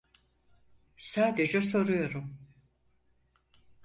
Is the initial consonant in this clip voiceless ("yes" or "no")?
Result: yes